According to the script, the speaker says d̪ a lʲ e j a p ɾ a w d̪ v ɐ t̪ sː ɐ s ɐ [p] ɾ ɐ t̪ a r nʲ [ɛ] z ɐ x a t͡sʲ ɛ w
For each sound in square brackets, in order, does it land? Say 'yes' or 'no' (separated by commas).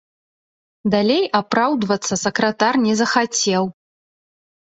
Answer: no, yes